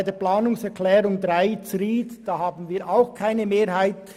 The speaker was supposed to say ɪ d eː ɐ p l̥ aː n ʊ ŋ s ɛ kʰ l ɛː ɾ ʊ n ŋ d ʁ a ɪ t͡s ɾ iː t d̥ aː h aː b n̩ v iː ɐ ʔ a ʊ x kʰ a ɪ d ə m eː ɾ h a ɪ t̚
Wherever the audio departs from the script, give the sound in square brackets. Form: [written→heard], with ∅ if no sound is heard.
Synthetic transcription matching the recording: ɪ d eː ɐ p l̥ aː n ʊ ŋ s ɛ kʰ l ɛː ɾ ʊ [n→∅] ŋ d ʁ a ɪ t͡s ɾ iː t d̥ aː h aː b n̩ v iː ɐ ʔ a ʊ x kʰ a ɪ [d→n] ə m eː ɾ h a ɪ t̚